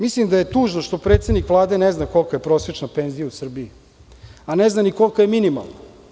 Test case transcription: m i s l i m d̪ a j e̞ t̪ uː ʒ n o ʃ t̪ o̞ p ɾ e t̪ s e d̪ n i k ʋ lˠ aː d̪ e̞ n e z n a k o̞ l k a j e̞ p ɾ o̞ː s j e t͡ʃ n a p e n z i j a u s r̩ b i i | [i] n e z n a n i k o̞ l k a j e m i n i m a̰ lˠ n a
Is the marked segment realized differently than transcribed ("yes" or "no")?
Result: yes